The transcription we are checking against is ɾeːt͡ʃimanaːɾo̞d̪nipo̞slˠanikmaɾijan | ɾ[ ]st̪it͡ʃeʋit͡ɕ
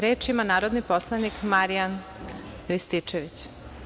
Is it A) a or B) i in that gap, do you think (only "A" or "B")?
B